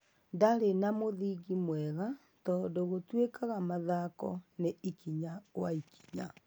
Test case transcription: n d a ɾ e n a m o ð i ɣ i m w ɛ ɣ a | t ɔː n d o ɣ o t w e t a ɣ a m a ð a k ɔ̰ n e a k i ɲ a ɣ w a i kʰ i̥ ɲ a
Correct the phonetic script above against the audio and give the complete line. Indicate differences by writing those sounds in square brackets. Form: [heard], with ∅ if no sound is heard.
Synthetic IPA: n d a ɾ e n a m o ð i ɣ i m w ɛ ɣ a | t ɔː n d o ɣ o t w e [k] a ɣ a m a ð a k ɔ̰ n e [i] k i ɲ a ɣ w a i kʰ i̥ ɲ a